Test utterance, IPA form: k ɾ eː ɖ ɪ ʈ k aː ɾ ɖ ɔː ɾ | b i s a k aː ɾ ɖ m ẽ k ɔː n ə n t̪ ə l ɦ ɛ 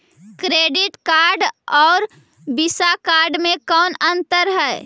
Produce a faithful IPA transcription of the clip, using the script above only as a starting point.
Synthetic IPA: k ɾ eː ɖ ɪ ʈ k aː ɾ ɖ ɔː ɾ | b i s a k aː ɾ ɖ m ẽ k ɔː n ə n t̪ ə ɾ ɦ ɛ